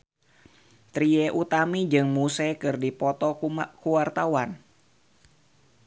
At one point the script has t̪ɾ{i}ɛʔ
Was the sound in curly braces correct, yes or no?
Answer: yes